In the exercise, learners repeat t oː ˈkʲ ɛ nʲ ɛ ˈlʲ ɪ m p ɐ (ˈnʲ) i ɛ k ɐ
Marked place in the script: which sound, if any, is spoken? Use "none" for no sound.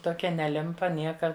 nʲ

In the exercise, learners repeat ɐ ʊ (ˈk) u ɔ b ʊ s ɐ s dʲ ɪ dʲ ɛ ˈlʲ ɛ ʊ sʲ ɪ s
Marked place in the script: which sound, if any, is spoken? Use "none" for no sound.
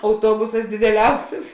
t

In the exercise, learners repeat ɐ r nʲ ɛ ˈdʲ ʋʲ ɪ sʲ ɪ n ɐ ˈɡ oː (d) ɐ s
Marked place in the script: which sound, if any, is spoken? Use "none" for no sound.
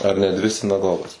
ɡ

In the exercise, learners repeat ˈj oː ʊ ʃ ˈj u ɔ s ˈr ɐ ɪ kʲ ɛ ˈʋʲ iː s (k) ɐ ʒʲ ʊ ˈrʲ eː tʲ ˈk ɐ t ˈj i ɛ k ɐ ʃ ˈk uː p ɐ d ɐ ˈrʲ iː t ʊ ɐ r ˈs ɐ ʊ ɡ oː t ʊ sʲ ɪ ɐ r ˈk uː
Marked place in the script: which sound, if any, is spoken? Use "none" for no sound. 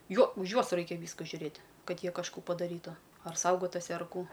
k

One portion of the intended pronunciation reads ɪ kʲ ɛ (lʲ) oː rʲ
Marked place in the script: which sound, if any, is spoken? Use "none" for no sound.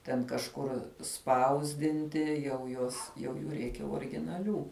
none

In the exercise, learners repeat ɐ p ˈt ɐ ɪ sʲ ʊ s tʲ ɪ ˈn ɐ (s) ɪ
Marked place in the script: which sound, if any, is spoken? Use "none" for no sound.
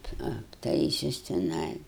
none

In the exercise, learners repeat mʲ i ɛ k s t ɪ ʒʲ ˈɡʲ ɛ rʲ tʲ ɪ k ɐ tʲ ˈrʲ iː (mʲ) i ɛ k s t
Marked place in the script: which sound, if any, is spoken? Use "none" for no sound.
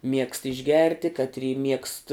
mʲ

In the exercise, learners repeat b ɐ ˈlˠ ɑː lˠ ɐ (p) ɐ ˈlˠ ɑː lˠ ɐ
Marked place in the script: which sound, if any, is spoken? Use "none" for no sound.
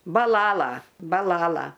b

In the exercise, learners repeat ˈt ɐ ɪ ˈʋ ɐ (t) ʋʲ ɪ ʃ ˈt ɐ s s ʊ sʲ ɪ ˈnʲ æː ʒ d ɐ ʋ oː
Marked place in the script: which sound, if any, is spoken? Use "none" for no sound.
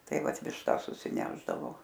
t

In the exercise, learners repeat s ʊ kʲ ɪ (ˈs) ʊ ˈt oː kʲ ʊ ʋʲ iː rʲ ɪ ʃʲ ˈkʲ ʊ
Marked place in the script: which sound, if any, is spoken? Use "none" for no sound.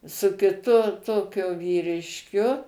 t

